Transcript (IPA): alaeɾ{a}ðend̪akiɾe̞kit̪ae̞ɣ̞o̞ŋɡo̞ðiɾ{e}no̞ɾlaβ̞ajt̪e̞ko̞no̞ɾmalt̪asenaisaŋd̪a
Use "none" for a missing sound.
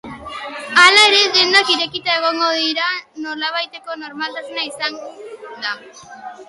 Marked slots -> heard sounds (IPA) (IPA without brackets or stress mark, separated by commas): e, a